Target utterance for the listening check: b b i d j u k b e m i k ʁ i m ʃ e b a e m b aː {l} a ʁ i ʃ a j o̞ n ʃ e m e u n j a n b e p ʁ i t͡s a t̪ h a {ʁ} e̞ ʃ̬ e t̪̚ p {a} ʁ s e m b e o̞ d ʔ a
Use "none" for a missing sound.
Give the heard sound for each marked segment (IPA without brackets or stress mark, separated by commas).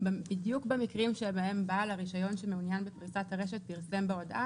l, ʁ, i